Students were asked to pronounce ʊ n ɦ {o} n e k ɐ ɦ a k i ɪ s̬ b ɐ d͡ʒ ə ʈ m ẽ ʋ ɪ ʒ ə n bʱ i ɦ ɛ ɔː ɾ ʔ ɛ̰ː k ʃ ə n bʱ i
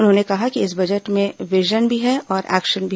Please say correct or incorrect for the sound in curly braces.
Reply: incorrect